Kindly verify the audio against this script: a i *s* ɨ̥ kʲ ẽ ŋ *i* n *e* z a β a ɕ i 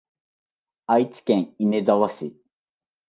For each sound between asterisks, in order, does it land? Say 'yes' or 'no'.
no, yes, yes

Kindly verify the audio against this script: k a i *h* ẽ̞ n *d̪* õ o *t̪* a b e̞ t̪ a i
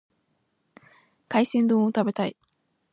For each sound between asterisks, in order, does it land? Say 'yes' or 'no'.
no, yes, yes

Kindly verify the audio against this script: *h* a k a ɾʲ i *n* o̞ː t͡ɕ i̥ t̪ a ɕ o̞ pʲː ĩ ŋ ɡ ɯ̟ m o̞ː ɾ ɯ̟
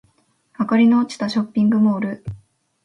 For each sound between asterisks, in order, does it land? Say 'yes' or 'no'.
yes, yes

